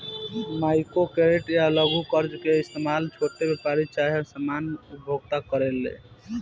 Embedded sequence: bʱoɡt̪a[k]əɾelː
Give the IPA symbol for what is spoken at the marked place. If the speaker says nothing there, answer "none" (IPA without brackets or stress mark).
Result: k